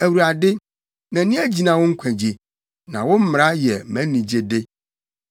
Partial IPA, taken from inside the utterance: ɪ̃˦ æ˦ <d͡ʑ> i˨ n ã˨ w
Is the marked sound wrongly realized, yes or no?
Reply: no